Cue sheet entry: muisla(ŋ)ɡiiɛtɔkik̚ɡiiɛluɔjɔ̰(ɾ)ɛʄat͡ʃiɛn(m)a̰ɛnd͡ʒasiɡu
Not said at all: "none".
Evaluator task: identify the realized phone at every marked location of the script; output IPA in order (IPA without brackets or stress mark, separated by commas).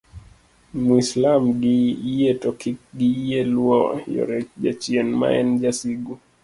m, ɾ, m